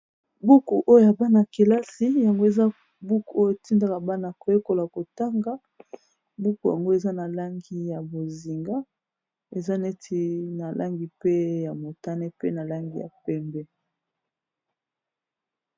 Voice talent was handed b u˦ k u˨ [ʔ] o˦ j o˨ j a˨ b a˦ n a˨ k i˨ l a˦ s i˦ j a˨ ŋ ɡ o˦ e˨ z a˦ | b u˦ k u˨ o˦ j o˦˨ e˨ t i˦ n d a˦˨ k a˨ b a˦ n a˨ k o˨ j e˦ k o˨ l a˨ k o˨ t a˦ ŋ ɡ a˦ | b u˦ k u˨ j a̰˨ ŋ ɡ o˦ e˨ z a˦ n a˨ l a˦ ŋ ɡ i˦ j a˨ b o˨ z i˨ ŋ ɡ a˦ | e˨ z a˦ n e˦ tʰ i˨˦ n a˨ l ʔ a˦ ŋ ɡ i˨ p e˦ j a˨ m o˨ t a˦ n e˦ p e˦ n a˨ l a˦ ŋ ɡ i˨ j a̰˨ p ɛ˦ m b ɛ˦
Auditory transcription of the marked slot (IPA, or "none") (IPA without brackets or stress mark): ʔ